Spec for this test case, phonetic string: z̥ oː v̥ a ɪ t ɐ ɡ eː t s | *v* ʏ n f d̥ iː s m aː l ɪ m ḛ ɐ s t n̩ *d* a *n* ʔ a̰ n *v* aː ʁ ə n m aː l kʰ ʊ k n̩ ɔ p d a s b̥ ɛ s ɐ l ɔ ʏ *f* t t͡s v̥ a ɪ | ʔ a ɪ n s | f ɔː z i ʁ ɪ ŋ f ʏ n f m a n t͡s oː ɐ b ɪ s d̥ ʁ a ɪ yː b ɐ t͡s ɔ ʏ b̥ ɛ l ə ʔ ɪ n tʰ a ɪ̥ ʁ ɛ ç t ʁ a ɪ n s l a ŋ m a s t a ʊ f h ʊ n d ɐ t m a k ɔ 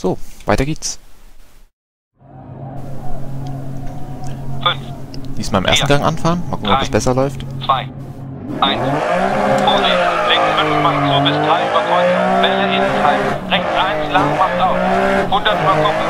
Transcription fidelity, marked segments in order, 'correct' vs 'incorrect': incorrect, incorrect, incorrect, incorrect, correct

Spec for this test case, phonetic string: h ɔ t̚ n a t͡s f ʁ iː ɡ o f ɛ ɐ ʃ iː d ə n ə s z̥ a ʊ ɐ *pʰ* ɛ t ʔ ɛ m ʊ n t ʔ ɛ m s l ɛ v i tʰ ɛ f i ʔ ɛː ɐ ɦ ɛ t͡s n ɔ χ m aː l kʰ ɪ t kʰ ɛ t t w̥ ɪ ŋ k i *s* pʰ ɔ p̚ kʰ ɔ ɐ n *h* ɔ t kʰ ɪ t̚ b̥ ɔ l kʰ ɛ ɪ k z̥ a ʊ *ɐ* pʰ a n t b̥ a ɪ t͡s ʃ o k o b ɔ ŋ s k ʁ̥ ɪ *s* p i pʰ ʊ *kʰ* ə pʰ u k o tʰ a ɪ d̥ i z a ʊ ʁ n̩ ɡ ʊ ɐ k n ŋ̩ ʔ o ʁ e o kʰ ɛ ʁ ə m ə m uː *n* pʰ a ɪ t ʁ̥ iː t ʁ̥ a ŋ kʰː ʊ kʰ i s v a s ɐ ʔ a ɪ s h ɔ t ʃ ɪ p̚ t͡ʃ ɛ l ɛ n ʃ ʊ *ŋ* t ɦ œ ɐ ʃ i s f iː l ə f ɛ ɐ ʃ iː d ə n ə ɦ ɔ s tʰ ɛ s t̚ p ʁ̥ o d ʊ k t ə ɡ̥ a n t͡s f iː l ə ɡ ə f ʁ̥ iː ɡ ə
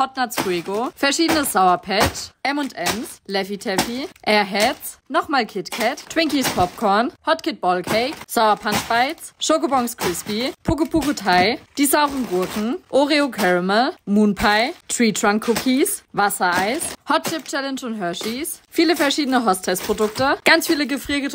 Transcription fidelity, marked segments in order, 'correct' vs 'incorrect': correct, correct, correct, correct, correct, incorrect, correct, incorrect

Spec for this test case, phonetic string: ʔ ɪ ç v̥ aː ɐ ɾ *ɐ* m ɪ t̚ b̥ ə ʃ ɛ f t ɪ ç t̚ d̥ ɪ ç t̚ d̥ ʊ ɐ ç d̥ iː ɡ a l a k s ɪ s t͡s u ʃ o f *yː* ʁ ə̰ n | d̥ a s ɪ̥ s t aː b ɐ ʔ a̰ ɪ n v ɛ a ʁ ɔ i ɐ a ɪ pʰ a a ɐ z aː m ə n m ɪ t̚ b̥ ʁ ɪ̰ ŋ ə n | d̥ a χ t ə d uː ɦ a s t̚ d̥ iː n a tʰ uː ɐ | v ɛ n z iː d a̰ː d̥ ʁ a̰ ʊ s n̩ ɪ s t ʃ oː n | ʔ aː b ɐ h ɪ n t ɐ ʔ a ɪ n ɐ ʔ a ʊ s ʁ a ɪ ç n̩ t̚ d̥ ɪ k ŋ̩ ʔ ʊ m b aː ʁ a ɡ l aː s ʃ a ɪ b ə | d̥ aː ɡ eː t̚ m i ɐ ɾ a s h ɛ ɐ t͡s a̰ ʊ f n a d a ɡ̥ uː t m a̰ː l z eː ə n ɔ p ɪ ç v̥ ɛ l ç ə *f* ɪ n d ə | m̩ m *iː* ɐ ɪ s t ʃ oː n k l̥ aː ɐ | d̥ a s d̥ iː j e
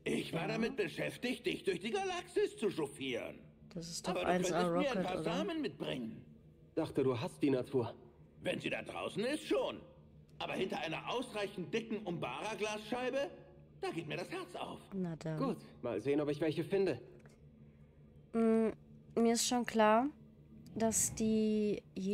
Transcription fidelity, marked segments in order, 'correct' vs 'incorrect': incorrect, incorrect, correct, correct

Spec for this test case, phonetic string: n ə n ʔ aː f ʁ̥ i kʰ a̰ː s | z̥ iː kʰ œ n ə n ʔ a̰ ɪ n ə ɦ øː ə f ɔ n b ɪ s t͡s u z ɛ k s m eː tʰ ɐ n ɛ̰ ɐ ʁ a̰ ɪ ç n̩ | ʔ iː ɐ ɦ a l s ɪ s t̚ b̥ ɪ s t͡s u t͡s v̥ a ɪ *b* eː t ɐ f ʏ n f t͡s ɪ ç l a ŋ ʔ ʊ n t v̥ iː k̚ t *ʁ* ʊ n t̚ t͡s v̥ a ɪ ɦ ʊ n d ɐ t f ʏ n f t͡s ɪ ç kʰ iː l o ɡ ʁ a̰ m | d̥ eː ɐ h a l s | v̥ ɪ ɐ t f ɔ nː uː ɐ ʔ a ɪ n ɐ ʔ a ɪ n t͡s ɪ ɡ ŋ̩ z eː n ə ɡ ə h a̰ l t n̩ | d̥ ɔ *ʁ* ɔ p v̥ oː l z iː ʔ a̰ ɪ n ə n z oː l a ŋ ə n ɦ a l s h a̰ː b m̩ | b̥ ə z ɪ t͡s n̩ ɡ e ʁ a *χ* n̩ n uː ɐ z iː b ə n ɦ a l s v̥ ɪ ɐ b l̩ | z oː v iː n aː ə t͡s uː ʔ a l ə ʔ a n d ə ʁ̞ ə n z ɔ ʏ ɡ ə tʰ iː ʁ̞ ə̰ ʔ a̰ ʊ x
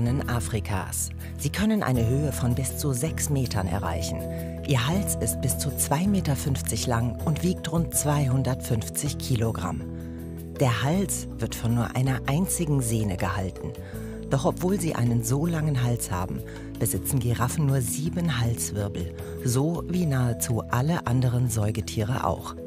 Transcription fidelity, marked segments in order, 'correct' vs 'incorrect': incorrect, correct, incorrect, incorrect

